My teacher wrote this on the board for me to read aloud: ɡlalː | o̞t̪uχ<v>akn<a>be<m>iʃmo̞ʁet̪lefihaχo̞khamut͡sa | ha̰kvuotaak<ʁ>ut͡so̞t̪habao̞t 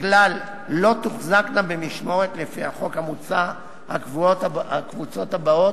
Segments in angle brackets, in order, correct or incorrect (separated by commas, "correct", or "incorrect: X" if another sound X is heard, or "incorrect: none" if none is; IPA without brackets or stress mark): incorrect: z, correct, correct, incorrect: v